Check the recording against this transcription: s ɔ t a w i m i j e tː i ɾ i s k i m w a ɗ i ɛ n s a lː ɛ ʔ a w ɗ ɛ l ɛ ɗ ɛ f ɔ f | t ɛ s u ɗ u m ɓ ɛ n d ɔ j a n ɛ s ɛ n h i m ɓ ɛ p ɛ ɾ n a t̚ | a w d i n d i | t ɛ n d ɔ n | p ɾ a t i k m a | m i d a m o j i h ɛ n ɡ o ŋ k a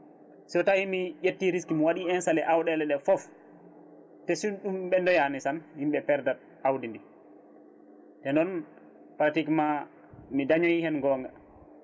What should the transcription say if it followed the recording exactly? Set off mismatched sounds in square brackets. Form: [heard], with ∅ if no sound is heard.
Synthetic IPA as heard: s ɔ t a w i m i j e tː i ɾ i s k i m w a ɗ i ɛ n s a [l] ɛ ʔ a w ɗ ɛ l ɛ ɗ ɛ f ɔ f | t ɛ s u ɗ u m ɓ ɛ n d ɔ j a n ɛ s [a] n h i m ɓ ɛ p ɛ ɾ [d] a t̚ | a w d i n d i | t ɛ n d ɔ n | p ɾ a t i k m a | m i d a [ɲ] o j i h ɛ n ɡ [ɔ] ŋ [ɡ] a